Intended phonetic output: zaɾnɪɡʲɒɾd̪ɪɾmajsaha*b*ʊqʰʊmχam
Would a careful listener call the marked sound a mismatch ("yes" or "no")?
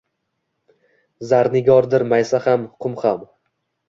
yes